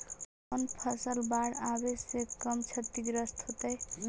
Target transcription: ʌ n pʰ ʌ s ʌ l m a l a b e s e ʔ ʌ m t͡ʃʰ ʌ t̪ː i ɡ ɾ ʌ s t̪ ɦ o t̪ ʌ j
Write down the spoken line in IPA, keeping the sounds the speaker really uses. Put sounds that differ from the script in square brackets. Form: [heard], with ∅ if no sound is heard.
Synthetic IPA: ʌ n pʰ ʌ s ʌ l [b] a [ɽ] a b e s e [k] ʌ m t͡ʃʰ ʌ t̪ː i ɡ ɾ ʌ s t̪ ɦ o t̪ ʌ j